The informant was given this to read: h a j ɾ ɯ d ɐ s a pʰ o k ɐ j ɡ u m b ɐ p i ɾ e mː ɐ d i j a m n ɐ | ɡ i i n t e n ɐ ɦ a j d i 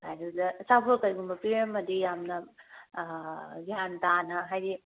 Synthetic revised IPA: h a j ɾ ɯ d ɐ s a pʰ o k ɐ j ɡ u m b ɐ p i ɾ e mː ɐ d i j a m n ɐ | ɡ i a n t a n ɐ ɦ a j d i